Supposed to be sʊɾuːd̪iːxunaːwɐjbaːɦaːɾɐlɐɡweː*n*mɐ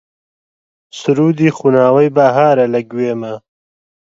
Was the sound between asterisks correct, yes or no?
no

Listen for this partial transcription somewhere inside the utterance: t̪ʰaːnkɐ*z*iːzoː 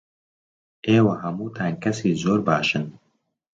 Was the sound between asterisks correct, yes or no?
no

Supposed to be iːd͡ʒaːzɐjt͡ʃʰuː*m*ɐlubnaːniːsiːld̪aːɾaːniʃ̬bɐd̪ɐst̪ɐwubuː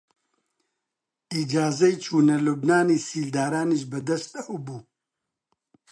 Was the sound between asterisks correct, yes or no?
no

